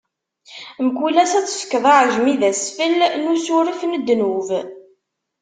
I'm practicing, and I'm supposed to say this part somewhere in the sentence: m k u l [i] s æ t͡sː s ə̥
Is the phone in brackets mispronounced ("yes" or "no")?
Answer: yes